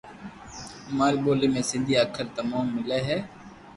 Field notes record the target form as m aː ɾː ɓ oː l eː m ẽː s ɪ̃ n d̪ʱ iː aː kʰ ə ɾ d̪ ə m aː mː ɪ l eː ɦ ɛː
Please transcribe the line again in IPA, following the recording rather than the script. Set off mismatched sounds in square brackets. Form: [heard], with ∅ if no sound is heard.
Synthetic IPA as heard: m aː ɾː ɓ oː l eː m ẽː s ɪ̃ n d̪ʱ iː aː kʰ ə ɾ [t̪] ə m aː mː ɪ l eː ɦ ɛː